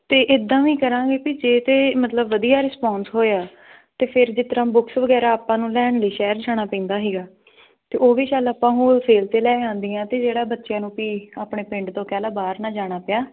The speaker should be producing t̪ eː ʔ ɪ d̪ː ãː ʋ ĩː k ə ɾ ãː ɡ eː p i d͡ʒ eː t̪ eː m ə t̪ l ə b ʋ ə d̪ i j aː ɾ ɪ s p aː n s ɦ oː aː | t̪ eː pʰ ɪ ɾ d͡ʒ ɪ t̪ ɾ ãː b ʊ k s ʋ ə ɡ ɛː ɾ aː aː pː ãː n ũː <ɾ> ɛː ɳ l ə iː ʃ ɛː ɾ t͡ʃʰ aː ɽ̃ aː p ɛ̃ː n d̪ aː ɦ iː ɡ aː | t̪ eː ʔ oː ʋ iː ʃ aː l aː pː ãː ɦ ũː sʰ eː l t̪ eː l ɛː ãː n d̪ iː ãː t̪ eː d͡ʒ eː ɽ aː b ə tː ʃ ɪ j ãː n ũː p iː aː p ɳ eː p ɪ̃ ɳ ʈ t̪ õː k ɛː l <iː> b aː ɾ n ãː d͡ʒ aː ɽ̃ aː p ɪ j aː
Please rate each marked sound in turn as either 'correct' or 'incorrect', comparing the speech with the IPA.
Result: incorrect, incorrect

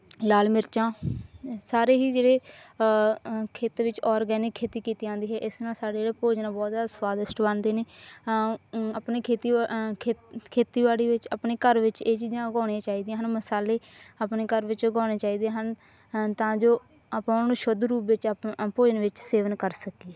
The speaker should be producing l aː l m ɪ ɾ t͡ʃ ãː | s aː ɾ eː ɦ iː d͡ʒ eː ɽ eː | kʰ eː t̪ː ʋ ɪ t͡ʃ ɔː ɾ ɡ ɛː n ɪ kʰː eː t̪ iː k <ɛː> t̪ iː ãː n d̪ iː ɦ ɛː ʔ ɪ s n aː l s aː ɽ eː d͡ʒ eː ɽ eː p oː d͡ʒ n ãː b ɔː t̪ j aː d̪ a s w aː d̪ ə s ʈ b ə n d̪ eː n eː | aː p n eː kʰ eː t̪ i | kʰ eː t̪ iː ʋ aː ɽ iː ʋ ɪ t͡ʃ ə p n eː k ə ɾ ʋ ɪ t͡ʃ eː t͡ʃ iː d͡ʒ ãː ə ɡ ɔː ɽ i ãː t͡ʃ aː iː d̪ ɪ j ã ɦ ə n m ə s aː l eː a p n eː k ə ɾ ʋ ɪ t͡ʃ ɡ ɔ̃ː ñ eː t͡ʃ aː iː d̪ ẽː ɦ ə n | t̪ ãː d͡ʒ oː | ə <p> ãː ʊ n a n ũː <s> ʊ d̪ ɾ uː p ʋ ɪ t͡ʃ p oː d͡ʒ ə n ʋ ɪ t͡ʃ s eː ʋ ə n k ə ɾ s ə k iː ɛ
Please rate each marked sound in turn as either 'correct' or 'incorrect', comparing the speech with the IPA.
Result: incorrect, correct, incorrect

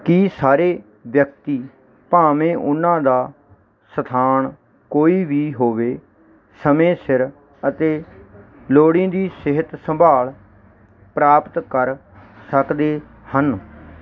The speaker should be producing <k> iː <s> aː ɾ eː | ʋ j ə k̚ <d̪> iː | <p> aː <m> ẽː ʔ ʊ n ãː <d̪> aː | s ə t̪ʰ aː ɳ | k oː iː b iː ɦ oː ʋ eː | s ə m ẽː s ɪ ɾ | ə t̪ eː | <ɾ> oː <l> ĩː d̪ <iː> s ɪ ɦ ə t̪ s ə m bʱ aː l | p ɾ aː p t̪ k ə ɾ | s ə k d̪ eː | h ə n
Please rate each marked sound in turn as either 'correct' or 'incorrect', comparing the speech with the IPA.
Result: correct, correct, incorrect, correct, correct, correct, incorrect, incorrect, correct

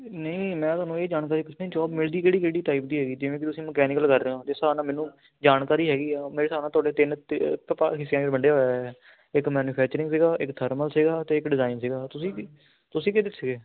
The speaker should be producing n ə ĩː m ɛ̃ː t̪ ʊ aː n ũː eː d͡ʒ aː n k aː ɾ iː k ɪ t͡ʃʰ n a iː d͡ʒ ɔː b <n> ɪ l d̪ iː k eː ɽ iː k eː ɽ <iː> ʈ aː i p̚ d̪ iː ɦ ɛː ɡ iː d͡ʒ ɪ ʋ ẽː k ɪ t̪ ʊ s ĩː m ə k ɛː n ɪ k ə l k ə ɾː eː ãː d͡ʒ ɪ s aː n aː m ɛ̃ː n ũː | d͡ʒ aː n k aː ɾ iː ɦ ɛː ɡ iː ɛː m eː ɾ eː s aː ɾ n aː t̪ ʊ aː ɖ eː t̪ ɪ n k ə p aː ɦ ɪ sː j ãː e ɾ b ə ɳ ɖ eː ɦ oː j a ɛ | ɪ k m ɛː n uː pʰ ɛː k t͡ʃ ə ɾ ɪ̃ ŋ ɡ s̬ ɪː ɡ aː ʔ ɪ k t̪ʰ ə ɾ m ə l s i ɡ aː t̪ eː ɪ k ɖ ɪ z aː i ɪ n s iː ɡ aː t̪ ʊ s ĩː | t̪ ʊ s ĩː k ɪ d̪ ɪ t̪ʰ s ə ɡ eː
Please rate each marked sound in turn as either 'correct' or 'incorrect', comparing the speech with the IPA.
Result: incorrect, correct

